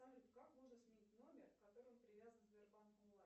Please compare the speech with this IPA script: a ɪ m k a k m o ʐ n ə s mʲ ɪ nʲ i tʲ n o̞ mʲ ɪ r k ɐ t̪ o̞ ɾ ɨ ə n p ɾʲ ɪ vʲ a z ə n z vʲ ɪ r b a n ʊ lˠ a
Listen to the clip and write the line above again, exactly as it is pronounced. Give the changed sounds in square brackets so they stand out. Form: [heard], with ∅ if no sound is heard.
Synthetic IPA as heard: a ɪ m k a k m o ʐ n ə s mʲ ɪ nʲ i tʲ n o̞ mʲ ɪ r k ɐ t̪ o̞ ɾ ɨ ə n p ɾʲ ɪ vʲ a z ə n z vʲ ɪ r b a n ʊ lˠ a